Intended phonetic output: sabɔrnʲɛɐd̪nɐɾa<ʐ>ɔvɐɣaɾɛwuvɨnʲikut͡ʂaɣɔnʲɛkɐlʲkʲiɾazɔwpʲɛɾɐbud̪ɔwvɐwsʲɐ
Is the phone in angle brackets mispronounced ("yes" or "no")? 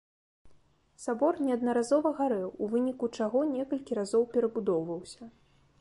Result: yes